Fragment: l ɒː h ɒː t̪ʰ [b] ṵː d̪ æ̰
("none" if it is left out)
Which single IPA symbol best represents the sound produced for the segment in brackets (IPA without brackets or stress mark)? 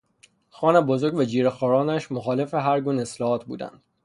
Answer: b